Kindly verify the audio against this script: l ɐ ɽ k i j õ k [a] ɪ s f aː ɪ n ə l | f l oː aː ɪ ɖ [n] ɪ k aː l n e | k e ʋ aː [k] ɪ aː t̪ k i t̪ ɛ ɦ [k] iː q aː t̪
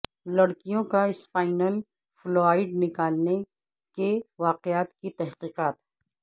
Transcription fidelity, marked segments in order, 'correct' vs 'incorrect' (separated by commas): correct, correct, incorrect, incorrect